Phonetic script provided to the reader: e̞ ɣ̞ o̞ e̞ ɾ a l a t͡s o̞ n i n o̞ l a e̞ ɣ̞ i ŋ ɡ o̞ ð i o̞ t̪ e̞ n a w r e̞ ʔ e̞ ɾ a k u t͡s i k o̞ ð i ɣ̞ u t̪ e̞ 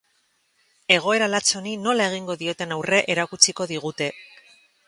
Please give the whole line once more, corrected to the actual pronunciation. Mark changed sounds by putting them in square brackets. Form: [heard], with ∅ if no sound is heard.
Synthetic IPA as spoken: e̞ ɣ̞ o̞ e̞ ɾ a l a t͡s o̞ n i n o̞ l a e̞ ɣ̞ i ŋ ɡ o̞ ð i o̞ t̪ e̞ n a w r e̞ ʔ e̞ ɾ a k u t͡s i k o̞ ð i ɣ̞ u t̪ e̞